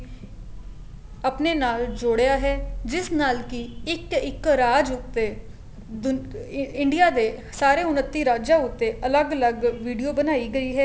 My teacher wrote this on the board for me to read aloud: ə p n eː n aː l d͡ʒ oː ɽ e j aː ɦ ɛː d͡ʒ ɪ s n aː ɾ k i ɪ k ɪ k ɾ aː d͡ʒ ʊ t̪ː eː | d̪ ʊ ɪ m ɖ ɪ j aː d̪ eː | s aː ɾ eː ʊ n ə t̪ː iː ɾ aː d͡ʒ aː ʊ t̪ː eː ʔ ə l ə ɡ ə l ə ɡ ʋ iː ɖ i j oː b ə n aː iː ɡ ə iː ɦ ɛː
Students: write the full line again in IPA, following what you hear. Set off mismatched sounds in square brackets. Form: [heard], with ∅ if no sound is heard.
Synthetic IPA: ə p n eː n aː l d͡ʒ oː ɽ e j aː ɦ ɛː d͡ʒ ɪ s n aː [l] k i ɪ k ɪ k ɾ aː d͡ʒ ʊ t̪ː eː | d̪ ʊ ɪ [ɳ] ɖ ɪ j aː d̪ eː | s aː ɾ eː ʊ n ə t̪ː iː ɾ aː d͡ʒ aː ʊ t̪ː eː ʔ ə l ə ɡ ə l ə ɡ ʋ iː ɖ i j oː b ə n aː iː ɡ ə iː ɦ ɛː